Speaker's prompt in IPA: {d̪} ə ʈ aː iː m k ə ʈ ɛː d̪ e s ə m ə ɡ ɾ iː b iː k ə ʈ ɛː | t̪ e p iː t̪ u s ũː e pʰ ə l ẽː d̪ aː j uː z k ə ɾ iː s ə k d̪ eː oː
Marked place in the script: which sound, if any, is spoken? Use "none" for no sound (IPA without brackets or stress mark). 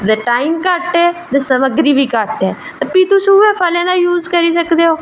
d̪